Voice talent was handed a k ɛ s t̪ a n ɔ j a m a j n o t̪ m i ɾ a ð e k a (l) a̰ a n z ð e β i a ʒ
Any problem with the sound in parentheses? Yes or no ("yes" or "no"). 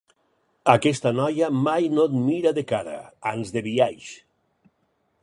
yes